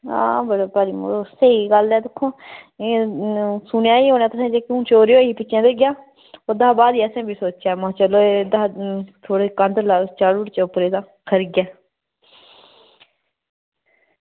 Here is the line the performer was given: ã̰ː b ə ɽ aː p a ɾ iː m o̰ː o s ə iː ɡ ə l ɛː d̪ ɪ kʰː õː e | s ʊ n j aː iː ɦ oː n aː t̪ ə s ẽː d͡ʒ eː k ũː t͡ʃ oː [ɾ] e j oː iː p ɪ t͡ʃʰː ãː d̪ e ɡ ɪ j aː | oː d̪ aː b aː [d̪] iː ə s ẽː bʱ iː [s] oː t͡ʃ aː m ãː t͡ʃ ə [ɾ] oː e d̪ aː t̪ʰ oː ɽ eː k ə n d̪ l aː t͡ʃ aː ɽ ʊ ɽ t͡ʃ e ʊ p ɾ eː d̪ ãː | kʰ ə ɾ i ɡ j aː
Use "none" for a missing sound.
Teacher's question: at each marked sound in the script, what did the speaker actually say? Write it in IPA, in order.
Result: ɾ, d̪, s, l

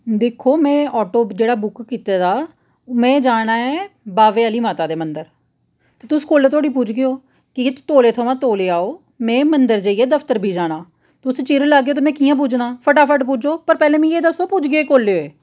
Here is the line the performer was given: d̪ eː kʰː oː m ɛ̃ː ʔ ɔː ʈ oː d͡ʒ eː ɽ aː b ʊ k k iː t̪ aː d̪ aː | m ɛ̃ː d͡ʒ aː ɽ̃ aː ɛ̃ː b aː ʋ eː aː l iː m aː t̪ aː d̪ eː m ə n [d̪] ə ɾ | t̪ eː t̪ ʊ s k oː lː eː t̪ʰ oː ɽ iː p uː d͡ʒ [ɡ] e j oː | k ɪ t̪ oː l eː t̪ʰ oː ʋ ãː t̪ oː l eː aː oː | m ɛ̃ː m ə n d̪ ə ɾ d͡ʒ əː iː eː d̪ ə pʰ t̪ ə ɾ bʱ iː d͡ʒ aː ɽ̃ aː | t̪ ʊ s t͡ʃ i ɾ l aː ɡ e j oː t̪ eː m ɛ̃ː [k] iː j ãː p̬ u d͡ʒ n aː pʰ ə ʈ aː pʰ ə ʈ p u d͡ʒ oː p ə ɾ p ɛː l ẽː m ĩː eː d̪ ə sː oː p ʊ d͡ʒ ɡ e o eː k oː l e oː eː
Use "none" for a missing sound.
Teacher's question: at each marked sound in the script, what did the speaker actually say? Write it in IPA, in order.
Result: d̪, ɡ, k

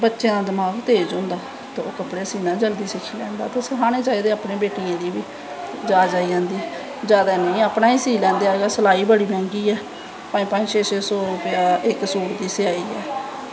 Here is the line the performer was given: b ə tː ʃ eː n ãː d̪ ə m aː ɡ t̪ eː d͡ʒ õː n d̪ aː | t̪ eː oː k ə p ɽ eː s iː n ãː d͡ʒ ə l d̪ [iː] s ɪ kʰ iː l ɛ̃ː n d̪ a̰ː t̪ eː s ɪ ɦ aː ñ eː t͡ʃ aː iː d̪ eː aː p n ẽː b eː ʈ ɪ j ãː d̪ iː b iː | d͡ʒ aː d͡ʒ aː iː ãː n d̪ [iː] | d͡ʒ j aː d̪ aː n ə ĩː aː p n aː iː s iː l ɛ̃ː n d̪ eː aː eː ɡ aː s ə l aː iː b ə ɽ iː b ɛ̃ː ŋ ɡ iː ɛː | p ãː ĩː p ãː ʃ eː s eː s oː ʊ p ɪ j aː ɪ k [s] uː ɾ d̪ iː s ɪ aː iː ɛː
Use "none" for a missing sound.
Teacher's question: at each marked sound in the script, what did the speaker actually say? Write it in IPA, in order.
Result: iː, iː, s

